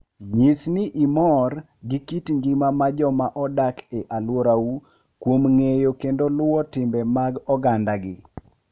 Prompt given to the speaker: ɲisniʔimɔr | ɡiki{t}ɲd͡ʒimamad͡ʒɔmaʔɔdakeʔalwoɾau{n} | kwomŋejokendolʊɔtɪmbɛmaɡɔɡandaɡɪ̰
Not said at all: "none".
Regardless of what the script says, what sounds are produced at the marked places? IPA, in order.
t, none

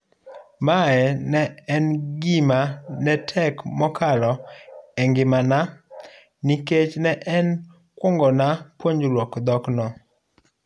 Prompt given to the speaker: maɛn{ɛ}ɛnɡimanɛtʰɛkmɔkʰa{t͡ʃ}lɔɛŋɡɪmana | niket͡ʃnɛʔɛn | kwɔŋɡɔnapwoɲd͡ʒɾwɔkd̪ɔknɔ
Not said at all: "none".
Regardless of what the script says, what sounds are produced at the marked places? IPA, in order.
ɛ, none

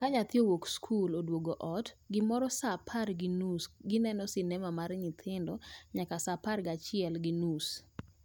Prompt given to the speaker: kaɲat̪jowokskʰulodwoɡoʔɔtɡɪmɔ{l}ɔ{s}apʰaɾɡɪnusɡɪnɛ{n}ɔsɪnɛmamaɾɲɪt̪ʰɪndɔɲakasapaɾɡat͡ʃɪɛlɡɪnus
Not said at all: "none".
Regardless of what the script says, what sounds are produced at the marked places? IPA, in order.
ɾ, s, n

